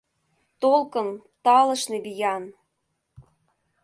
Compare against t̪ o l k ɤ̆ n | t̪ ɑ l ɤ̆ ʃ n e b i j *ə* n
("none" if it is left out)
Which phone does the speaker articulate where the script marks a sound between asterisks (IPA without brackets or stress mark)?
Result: ɑ